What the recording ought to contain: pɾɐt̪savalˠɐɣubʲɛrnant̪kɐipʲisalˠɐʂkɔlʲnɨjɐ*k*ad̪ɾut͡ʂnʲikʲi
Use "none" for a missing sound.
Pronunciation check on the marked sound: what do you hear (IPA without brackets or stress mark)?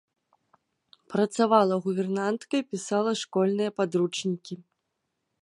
p